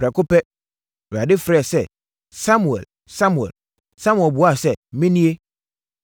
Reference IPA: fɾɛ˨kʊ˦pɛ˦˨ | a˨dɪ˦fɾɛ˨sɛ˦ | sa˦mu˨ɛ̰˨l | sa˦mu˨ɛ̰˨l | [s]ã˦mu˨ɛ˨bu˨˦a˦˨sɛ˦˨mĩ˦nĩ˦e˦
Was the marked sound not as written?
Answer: no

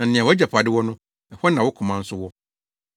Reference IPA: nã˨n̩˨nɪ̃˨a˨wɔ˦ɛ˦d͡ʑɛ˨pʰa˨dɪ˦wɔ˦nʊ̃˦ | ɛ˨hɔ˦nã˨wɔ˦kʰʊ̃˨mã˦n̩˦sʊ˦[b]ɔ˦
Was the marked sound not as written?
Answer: yes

